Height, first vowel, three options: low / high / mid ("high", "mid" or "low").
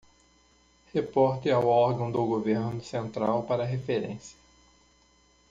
mid